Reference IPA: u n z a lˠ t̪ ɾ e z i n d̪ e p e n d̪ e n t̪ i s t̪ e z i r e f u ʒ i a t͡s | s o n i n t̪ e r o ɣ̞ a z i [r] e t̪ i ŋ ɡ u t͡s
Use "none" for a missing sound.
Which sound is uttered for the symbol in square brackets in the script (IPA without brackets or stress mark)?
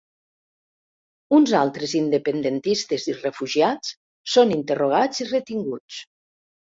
r